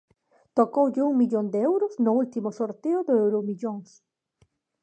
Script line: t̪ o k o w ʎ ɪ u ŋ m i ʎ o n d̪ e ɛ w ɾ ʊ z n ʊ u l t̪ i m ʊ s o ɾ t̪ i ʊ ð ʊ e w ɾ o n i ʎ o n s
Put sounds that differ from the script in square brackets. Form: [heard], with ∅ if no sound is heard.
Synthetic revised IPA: t̪ o k o w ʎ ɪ u ŋ m i ʎ o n d̪ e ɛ w ɾ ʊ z n ʊ u l t̪ i m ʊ s o ɾ t̪ [e] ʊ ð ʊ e w ɾ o [m] i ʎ o [ŋ] s